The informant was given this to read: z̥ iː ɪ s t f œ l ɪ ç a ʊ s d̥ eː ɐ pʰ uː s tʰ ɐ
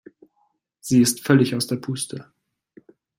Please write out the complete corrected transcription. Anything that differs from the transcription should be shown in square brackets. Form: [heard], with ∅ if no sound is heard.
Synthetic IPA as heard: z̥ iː ɪ s t f œ l ɪ ç a ʊ s d̥ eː ɐ pʰ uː s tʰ [ə]